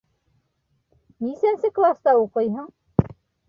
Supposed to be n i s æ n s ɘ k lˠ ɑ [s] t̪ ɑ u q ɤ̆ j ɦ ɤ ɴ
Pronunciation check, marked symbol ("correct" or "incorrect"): correct